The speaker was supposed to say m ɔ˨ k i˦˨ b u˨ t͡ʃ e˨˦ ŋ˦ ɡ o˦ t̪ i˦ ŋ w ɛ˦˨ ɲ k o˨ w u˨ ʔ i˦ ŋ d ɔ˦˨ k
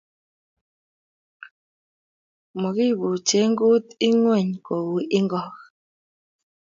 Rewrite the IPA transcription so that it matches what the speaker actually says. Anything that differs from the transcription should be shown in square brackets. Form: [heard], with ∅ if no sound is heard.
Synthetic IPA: m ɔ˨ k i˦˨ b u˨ t͡ʃ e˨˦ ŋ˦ ɡ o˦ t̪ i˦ ŋ w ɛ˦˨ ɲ k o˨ w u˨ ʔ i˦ ŋ [ɡ] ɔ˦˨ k